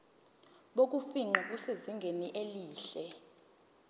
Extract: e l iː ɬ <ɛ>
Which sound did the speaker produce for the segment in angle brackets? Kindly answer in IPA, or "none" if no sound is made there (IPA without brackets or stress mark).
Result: ɛ